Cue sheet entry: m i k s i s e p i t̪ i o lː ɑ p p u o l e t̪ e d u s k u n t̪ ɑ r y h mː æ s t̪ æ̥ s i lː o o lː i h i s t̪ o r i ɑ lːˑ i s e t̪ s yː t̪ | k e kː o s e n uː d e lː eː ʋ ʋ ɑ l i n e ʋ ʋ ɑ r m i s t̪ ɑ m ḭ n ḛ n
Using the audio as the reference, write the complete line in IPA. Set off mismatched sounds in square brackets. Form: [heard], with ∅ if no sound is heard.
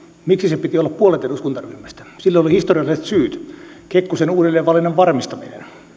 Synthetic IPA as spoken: m i k s i s e p i t̪ i o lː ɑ p p u o l e t̪ e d u s k u n t̪ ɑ r y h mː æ s t̪ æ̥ s i lː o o [l] i h i s t̪ o r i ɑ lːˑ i s e t̪ s yː t̪ | k e kː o s e n uː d e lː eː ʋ ʋ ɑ l i n e ʋ ʋ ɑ r m i s t̪ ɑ m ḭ n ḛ n